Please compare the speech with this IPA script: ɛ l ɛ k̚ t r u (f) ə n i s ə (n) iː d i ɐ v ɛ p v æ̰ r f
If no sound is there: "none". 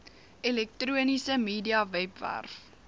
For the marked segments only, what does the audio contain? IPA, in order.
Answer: none, m

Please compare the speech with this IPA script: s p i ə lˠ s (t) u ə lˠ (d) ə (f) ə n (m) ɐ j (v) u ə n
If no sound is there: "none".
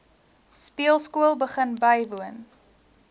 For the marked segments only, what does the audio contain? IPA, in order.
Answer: k, b, χ, b, v

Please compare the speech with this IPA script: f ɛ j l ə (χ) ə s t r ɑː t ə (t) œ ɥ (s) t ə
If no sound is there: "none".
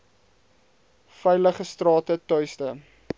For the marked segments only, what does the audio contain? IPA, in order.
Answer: χ, t, s

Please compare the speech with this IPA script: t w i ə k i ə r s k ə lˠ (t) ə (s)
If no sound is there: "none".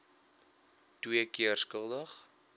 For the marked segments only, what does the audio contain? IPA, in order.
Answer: d, χ

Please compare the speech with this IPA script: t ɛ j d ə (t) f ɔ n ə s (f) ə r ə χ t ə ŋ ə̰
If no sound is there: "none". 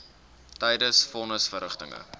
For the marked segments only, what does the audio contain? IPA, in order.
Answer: s, f

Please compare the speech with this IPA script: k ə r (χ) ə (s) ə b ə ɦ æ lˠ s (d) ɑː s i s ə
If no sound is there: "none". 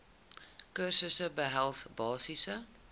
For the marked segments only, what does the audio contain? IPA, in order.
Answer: s, s, b

